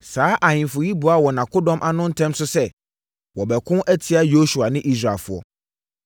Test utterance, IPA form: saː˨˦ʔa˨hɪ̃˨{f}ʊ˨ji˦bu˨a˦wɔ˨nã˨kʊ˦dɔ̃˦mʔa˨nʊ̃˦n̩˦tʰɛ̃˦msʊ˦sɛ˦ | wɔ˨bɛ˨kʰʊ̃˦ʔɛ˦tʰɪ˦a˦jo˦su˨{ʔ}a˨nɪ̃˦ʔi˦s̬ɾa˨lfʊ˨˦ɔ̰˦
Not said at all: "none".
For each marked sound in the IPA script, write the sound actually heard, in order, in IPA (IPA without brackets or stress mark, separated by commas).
f, none